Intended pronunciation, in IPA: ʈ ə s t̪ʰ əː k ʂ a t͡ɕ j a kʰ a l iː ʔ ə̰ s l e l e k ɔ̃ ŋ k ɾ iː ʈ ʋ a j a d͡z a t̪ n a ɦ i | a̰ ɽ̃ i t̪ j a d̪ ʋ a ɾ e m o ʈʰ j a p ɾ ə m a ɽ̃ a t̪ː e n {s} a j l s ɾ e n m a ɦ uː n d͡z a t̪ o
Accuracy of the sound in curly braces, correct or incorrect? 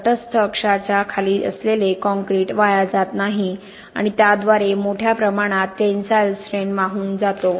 correct